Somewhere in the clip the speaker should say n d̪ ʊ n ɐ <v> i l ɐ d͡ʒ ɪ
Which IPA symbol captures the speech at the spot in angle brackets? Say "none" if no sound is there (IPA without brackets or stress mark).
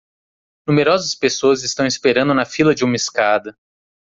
f